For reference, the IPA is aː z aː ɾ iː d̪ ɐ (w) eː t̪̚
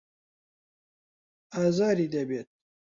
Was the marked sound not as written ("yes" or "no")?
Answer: yes